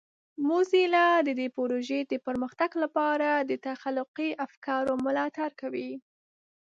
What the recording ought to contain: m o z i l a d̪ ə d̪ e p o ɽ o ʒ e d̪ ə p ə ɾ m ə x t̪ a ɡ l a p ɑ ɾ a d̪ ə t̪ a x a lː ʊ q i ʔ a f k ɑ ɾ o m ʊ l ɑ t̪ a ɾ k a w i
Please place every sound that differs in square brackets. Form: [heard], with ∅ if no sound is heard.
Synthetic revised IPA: m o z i l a d̪ ə d̪ e p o [ɾ] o ʒ e d̪ ə p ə ɾ m ə x t̪ a ɡ l a p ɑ ɾ a d̪ ə t̪ a x a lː ʊ q i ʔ a f k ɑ ɾ o m ʊ l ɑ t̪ a ɾ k a w i

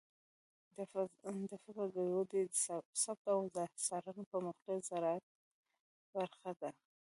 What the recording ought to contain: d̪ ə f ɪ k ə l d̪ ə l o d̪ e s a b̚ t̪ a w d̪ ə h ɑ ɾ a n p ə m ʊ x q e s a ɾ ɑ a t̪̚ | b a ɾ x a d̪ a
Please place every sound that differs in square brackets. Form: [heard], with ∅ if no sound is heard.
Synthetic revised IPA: d̪ ə f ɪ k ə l d̪ ə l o d̪ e s a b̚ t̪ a w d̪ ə [s] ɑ ɾ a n p ə m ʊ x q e [z] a ɾ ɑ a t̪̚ | b a ɾ x a d̪ a

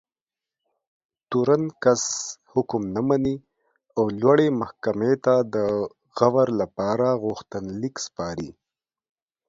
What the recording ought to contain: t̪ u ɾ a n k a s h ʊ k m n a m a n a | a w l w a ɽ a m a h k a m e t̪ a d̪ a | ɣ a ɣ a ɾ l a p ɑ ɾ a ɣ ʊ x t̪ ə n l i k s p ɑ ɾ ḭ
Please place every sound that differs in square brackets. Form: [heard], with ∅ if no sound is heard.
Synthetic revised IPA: t̪ u ɾ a n k a s h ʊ k m n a m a n [i] | a w l w a ɽ [e] m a h k a m e t̪ a d̪ [ə] | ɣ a [w] a ɾ l a p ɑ ɾ a ɣ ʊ x t̪ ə n l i k s p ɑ ɾ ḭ

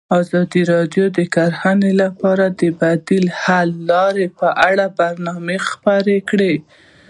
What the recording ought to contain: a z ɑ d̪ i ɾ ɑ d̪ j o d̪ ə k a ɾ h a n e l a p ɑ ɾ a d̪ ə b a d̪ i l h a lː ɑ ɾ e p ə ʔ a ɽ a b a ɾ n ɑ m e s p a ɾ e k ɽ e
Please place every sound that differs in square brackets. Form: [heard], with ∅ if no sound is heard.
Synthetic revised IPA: [ɑ] z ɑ d̪ i ɾ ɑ d̪ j o d̪ ə k a ɾ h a n e l a p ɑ ɾ a d̪ ə b a d̪ i l h a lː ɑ ɾ e p ə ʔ a ɽ a b a ɾ n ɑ m e [x] p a ɾ e k ɽ e

